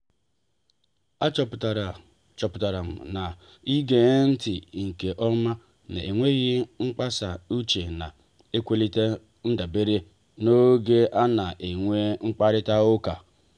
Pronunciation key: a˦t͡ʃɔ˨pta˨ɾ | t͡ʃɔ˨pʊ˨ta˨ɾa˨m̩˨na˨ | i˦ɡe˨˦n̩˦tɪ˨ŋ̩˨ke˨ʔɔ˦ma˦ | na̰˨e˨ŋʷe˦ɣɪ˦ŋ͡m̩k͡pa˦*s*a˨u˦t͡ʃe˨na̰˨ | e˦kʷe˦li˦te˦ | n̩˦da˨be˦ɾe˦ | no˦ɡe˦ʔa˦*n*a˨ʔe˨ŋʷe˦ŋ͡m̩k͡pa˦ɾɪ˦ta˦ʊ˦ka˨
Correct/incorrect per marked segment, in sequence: correct, correct

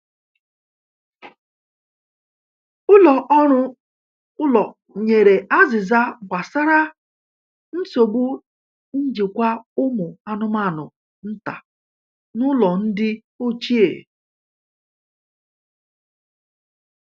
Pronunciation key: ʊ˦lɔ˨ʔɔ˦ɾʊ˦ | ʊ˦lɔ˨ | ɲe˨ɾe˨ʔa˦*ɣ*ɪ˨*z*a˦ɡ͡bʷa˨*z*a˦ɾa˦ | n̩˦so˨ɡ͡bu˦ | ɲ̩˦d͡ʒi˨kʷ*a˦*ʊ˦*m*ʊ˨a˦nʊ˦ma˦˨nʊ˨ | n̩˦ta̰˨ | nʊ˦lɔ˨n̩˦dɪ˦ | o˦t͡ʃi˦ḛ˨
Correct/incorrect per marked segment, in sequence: incorrect: z, correct, incorrect: s, correct, correct

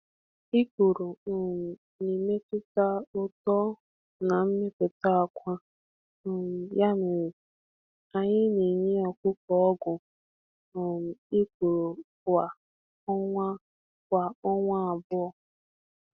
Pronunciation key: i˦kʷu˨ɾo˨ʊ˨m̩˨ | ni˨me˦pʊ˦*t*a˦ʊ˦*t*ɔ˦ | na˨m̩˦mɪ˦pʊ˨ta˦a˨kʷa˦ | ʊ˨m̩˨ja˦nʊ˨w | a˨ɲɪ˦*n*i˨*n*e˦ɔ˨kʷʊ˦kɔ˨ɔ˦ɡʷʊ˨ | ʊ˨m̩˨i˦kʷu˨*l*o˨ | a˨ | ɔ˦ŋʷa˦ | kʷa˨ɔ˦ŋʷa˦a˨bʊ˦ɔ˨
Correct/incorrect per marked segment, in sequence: correct, correct, correct, incorrect: ɲ, incorrect: ɾ

